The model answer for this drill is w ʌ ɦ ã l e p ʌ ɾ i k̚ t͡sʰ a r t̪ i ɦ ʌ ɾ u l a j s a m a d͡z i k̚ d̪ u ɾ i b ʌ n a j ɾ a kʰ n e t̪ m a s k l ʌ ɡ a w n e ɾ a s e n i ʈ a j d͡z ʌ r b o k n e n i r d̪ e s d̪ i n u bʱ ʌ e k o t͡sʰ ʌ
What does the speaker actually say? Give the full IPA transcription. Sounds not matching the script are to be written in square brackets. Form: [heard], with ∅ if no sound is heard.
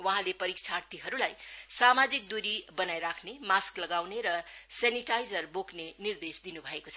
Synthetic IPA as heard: w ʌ ɦ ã l e p ʌ ɾ i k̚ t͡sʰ a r t̪ i ɦ ʌ ɾ u l a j s a m a d͡z i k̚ d̪ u ɾ i b ʌ n a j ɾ a kʰ n e [∅] m a s k l ʌ ɡ a w n e ɾ [ʌ] s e n i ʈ a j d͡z ʌ r b o k n e n i r d̪ e s d̪ i n u bʱ ʌ e k o t͡sʰ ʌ